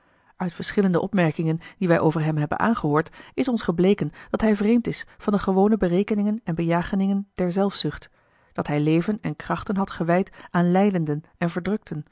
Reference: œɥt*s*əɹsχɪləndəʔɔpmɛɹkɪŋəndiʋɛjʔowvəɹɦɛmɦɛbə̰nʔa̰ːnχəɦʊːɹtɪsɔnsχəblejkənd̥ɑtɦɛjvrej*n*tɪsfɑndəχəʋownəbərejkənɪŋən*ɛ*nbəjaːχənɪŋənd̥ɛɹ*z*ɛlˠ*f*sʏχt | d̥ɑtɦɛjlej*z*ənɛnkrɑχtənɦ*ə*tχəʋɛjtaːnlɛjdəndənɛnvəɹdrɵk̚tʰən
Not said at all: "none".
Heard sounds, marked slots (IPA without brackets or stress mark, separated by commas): f, m, ɛ, z, f, v, ɑ